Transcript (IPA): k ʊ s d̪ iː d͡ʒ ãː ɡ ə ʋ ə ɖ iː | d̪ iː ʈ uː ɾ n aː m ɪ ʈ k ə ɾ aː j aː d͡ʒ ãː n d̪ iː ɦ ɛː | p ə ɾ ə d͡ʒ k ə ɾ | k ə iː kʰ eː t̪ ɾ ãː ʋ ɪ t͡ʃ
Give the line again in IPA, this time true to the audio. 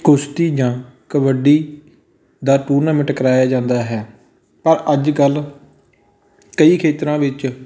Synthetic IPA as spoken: k ʊ s t̪ iː d͡ʒ ãː k ə ʋ ə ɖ iː | d̪ aː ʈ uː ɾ n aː m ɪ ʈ k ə ɾ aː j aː d͡ʒ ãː n d̪ aː ɦ ɛː | p ə ɾ ə d͡ʒ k ə l | k ə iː kʰ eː t̪ ɾ ãː ʋ ɪ t͡ʃ